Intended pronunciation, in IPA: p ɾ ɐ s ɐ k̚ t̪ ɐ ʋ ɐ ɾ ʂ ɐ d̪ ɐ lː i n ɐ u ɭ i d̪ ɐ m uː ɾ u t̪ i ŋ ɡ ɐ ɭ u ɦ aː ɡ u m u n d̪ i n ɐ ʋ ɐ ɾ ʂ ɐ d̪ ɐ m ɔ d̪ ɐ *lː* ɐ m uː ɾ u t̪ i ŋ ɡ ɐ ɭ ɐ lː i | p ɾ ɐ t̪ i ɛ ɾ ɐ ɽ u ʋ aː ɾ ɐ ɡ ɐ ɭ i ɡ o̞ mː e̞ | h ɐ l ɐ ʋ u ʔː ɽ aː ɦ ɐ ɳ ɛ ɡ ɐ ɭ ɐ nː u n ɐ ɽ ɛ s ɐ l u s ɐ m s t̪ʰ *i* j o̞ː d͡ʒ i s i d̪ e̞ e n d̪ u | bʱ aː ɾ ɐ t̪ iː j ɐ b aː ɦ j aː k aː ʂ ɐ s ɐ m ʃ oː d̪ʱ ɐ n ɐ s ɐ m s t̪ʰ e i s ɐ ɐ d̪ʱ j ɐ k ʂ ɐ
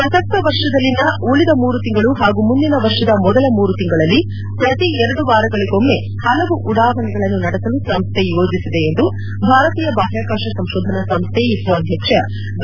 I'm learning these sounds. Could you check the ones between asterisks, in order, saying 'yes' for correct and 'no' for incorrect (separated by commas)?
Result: no, no